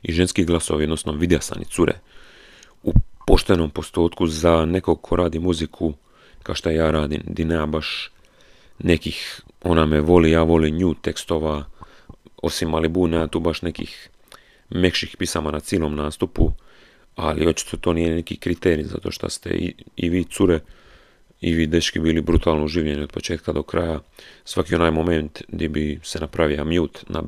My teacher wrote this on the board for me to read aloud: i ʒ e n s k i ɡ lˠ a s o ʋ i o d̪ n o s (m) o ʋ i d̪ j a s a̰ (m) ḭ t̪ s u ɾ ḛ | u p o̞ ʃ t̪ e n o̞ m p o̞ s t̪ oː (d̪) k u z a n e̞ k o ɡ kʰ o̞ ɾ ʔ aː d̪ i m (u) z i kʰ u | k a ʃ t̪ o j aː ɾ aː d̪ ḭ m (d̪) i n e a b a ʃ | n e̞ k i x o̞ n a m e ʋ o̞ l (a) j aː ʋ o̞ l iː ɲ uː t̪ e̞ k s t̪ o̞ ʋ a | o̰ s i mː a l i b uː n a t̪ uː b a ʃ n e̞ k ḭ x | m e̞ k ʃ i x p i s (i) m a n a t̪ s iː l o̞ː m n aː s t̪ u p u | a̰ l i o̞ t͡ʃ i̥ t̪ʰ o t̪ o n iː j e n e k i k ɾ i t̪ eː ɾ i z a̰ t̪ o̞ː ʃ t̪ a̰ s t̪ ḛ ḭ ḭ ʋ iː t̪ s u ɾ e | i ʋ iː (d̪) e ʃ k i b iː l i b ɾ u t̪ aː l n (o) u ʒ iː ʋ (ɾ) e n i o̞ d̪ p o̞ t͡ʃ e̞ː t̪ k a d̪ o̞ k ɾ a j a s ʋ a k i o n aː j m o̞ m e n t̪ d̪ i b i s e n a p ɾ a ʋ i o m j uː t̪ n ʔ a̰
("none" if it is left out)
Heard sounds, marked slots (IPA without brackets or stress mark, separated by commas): n, n, t̪, u, d̪, i, a, d̪, o, ʎ